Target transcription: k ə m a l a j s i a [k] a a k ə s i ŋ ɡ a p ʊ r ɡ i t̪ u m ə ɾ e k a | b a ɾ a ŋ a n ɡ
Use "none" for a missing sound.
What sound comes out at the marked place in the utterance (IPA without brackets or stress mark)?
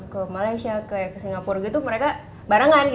k